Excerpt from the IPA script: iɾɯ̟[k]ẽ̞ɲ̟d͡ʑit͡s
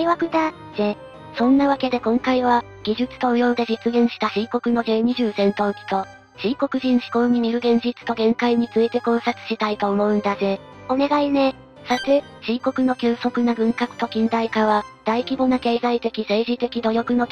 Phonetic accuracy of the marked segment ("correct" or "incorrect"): incorrect